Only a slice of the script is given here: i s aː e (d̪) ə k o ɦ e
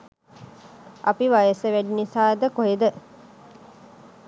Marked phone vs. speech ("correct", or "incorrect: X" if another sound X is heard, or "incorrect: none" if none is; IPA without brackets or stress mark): correct